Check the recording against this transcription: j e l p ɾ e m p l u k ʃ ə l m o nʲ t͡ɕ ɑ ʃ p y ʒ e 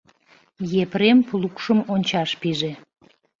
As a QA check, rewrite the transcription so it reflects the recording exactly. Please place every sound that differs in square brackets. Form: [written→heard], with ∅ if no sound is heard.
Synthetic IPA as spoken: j e [l→∅] p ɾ e m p l u k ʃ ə [l→∅] m o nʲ t͡ɕ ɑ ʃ p [y→i] ʒ e